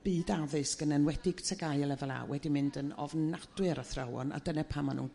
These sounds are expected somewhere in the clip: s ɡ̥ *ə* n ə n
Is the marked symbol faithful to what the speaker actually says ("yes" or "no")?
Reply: yes